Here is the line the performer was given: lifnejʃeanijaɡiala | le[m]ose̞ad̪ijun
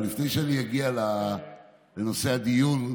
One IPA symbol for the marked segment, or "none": n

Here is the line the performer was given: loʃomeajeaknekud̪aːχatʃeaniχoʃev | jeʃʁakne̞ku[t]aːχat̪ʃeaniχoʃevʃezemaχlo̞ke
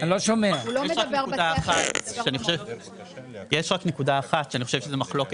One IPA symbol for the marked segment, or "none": d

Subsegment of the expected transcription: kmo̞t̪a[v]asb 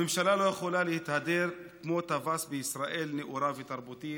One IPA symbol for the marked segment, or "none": v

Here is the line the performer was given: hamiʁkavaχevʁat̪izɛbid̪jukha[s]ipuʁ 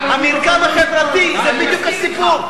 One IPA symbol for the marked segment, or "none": s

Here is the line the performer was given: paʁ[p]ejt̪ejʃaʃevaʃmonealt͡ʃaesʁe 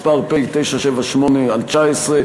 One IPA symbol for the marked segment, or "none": p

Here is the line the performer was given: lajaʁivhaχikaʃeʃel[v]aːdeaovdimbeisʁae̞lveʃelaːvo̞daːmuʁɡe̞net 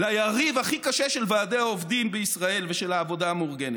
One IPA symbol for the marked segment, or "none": v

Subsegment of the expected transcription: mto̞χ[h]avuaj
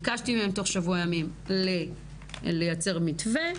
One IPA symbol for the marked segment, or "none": ʃ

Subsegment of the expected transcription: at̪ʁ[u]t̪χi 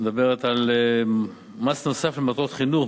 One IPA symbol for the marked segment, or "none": o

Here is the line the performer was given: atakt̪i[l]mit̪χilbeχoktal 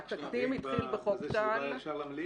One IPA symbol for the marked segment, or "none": none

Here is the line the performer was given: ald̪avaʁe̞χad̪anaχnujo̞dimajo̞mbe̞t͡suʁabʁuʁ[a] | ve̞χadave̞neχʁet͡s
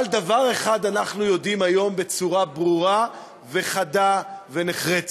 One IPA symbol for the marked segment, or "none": a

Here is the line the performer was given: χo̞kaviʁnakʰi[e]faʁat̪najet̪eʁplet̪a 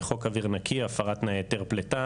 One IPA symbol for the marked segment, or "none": a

